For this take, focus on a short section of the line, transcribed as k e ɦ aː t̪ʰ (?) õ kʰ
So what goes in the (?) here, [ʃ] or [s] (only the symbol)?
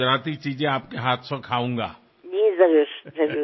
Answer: s